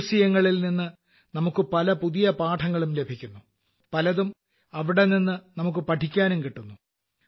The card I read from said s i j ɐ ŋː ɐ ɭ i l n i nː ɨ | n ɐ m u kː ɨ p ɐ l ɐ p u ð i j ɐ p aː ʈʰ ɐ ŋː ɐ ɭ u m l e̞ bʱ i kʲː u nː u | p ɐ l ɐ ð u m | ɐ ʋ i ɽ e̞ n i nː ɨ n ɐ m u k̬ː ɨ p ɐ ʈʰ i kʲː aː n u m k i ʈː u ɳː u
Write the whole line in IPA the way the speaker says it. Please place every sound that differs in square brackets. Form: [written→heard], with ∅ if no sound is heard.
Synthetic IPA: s i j ɐ ŋː ɐ ɭ i l n i nː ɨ | n ɐ m u kː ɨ p ɐ l ɐ p u ð i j ɐ p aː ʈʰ ɐ ŋː ɐ ɭ u m l e̞ bʱ i kʲː u nː u | p ɐ l ɐ ð u m | ɐ ʋ i ɽ e̞ n i nː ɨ n ɐ m u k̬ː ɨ p ɐ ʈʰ i kʲː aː n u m k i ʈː u [ɳː→nː] u